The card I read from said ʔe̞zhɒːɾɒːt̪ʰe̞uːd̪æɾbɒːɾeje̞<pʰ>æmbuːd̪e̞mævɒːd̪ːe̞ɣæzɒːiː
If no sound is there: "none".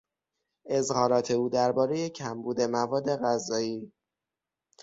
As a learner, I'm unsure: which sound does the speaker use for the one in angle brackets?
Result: cʰ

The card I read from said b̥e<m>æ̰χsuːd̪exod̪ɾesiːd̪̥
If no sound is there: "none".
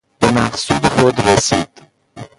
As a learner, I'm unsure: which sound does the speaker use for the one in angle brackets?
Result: m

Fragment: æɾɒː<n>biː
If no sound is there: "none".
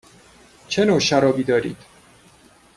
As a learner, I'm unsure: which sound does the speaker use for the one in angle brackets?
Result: none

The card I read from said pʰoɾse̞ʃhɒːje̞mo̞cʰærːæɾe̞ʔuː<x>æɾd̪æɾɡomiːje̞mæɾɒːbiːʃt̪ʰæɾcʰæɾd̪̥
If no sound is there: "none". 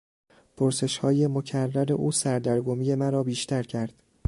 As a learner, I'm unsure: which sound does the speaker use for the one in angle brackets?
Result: s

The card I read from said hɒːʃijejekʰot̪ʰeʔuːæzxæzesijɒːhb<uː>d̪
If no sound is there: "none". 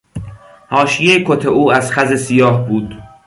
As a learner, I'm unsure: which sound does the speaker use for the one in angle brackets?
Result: uː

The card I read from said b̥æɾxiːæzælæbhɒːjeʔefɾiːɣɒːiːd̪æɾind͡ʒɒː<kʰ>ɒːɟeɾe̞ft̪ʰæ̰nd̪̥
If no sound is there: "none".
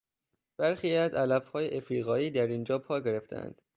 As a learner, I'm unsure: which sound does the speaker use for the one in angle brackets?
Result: pʰ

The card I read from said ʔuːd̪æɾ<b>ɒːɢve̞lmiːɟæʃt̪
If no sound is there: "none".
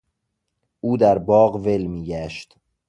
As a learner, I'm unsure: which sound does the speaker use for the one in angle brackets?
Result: b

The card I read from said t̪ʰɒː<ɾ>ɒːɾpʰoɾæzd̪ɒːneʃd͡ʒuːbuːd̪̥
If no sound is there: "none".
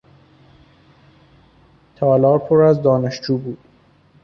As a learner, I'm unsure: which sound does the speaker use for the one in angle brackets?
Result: l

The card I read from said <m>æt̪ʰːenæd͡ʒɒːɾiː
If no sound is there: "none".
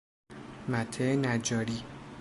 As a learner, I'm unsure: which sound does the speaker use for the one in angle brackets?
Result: m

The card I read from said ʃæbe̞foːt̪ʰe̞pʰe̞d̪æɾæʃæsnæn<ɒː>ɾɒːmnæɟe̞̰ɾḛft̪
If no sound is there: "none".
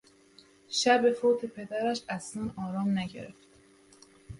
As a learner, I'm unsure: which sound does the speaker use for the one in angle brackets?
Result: ɒː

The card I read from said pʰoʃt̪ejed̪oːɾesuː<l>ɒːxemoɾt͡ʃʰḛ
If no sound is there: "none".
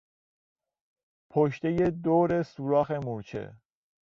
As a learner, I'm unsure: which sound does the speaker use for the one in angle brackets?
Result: ɾ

